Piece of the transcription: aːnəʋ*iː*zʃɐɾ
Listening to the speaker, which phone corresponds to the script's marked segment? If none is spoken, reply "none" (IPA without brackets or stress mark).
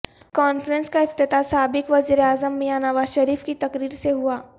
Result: aː